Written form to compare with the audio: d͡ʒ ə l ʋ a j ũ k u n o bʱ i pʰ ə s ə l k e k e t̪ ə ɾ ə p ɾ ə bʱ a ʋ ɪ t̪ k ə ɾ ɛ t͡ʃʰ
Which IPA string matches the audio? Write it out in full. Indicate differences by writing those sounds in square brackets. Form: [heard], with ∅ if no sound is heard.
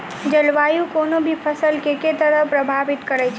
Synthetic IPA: d͡ʒ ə l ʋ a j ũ k [o] n o bʱ i pʰ ə s ə l k e k e t̪ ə ɾ ə p ɾ ə bʱ a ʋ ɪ t̪ k ə ɾ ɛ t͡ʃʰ